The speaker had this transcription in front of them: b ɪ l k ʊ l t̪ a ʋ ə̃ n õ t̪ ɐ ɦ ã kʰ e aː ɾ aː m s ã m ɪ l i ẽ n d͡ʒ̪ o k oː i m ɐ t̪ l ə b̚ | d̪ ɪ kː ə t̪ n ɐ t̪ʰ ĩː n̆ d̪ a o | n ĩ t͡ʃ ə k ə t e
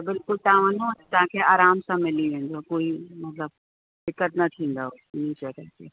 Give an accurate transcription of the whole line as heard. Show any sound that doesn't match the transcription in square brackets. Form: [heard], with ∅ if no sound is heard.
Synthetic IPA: b ɪ l k ʊ l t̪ a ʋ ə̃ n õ t̪ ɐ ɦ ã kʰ e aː ɾ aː m s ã m ɪ l i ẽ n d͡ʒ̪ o k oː i m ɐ t̪ l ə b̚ | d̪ ɪ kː ə t̪ n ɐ t̪ʰ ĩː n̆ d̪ a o | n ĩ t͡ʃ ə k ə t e

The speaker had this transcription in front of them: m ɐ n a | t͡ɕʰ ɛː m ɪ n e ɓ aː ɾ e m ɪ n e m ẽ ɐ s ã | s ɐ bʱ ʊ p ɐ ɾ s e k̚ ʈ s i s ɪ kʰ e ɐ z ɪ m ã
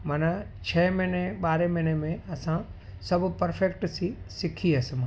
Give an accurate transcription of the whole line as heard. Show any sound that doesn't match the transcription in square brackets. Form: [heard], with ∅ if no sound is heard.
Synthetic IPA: m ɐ n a | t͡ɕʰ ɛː m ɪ n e ɓ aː ɾ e m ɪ n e m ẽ ɐ s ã | s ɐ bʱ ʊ p ɐ ɾ [f] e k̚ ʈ s i s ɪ kʰ [i] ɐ [s] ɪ m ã

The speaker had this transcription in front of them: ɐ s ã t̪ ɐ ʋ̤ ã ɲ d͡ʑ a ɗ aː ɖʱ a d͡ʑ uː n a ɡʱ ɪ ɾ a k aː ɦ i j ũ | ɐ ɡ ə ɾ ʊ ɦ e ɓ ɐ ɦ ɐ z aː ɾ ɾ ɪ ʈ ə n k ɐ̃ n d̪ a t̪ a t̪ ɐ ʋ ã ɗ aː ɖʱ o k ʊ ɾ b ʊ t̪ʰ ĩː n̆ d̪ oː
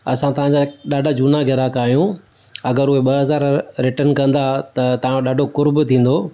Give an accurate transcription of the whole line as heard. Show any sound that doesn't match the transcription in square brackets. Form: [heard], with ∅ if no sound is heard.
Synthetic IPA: ɐ s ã t̪ ɐ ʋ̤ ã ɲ d͡ʑ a ɗ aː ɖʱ a d͡ʑ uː n a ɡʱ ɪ ɾ a k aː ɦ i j ũ | ɐ ɡ ə ɾ ʊ ɦ e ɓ ɐ ɦ ɐ z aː ɾ ɾ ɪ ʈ ə n k ɐ̃ n d̪ a t̪ [ɐ] t̪ ɐ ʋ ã ɗ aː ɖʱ o k ʊ ɾ b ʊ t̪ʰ ĩː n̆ d̪ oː

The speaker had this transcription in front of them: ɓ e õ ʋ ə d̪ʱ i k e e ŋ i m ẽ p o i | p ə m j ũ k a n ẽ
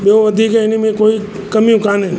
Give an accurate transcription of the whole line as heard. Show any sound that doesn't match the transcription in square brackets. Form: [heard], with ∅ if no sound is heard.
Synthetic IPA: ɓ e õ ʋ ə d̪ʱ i k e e [n] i m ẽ [k] o i | [k] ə m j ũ k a n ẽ

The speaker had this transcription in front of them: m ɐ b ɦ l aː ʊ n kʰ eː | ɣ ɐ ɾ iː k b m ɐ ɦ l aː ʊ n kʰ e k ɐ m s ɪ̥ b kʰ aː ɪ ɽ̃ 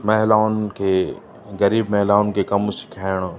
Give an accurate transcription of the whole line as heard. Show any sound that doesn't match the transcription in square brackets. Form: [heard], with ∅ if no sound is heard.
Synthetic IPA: m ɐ [∅] ɦ l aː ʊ n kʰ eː | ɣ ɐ ɾ iː [∅] b m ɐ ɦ l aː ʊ n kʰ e k ɐ m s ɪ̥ [∅] kʰ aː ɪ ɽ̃

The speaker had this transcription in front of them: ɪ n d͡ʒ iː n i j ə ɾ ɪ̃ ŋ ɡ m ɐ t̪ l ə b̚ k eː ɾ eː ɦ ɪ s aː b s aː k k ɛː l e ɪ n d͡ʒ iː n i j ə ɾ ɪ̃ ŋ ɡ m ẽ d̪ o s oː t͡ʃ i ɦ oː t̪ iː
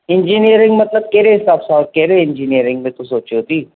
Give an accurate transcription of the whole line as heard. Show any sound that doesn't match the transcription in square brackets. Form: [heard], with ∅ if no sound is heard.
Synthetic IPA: ɪ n d͡ʒ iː n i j ə ɾ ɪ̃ ŋ ɡ m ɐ t̪ l ə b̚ k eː ɾ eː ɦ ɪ s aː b s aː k k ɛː [ɾ] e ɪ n d͡ʒ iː n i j ə ɾ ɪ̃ ŋ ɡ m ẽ [t̪] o s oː t͡ʃ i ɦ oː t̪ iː

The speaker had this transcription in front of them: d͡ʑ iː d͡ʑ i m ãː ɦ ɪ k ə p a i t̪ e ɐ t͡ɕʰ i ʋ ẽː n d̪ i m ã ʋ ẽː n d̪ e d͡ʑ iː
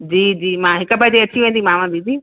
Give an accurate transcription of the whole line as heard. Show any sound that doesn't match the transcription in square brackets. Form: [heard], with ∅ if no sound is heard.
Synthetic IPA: d͡ʑ iː d͡ʑ [iː] m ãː ɦ ɪ k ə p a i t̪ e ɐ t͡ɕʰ i ʋ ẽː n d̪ i m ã ʋ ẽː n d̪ [i] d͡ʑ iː

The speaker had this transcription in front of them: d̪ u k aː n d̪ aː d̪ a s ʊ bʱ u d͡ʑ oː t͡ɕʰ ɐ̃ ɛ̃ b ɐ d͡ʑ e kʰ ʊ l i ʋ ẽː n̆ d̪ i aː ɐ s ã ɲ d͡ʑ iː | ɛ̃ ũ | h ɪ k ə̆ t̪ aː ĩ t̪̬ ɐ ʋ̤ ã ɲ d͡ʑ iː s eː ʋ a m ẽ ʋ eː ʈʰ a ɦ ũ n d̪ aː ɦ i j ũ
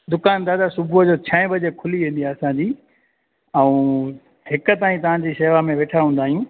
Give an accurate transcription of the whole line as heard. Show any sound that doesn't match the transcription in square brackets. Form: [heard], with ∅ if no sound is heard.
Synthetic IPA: d̪ [ʊ] k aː n d̪ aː d̪ a s ʊ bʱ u d͡ʑ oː t͡ɕʰ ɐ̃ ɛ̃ b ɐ d͡ʑ e kʰ ʊ l i ʋ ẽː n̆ d̪ i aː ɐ s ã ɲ d͡ʑ iː | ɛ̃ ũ | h ɪ k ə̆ t̪ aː ĩ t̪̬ ɐ ʋ̤ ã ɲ d͡ʑ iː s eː ʋ a m ẽ ʋ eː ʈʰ a ɦ ũ n d̪ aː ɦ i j ũ

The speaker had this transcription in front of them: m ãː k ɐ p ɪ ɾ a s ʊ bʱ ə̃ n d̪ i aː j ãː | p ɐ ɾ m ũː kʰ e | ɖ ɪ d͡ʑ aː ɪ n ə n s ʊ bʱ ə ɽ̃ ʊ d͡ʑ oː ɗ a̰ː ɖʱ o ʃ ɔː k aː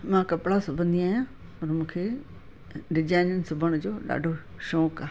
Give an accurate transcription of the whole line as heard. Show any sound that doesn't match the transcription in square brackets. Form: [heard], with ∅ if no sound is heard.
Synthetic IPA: m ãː k ɐ p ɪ [ɽ] a s ʊ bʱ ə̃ n d̪ i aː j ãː | p ɐ ɾ m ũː kʰ e | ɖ ɪ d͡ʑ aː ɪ n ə n s ʊ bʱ ə ɽ̃ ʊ d͡ʑ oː ɗ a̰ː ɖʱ o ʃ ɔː k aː

